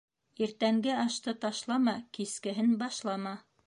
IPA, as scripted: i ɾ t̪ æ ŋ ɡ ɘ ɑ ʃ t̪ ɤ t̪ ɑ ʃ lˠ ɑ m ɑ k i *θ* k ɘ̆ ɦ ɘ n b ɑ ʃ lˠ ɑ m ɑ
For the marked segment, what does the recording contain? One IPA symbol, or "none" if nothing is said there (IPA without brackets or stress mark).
s